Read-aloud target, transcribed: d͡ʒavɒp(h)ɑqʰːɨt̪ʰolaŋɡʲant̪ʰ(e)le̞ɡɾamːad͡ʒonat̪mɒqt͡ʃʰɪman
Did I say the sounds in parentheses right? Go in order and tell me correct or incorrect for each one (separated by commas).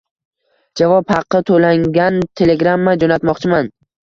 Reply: correct, correct